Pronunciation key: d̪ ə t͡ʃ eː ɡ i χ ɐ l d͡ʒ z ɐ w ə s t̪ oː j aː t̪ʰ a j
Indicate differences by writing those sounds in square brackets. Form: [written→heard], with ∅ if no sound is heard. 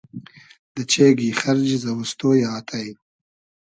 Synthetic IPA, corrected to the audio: d̪ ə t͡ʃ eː ɡ i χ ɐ [l→ɾ] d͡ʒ z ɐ w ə s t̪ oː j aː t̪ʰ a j